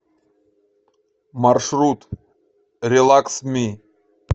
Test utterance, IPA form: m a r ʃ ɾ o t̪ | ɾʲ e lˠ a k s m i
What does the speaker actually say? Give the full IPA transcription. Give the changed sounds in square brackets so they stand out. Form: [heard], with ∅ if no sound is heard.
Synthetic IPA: m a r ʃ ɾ [u] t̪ | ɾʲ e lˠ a k s m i

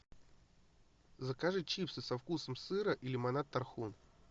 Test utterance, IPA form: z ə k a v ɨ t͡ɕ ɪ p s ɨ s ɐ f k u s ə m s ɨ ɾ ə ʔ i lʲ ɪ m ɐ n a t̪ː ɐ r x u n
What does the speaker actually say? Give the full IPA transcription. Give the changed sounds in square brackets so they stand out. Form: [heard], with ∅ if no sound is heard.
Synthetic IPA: z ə k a [ʐ] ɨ t͡ɕ [i] p s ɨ s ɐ f k u s ə m s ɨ ɾ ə ʔ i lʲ ɪ m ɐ n a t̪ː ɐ r x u n

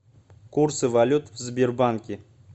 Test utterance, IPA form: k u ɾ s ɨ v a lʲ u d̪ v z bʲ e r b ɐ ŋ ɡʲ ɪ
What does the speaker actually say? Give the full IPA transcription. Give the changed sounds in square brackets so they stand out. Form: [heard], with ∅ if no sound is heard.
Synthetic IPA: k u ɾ s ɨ v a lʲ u [t̪] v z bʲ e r b [a] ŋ [kʲ] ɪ

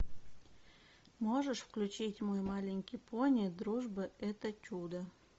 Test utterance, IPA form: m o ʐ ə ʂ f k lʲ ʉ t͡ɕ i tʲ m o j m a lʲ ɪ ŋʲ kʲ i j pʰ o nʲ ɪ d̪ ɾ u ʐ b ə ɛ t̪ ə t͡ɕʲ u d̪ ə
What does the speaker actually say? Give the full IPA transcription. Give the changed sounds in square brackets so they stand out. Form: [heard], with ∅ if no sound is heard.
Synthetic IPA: m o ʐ ə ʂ f k lʲ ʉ t͡ɕ i tʲ m o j m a lʲ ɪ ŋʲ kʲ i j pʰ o nʲ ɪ d̪ ɾ u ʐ b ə ɛ t̪ ə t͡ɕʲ u d̪ ə

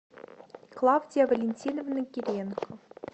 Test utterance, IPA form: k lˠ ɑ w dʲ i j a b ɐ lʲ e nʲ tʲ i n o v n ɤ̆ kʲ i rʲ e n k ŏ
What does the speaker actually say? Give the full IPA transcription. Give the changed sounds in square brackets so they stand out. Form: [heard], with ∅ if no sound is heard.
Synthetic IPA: k lˠ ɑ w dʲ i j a [v] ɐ lʲ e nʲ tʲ i n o v n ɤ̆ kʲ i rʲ e n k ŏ

